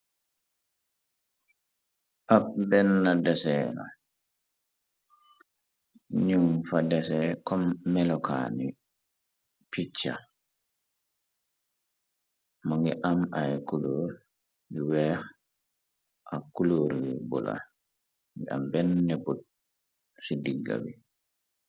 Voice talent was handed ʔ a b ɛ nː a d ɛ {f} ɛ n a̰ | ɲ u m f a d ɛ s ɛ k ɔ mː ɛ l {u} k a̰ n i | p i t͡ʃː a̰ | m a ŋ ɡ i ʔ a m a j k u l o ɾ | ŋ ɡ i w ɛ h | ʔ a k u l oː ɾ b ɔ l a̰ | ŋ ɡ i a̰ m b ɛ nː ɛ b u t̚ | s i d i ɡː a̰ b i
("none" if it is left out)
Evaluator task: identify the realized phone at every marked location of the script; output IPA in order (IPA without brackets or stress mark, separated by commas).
s, ɔ